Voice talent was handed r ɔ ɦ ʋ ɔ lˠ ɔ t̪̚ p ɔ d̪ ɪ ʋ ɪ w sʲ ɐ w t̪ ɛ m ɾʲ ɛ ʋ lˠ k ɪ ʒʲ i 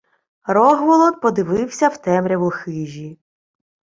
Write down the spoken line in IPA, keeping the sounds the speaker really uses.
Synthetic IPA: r ɔ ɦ ʋ ɔ lˠ ɔ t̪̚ p ɔ d̪ ɪ ʋ ɪ w sʲ ɐ w t̪ ɛ m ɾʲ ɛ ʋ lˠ x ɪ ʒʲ i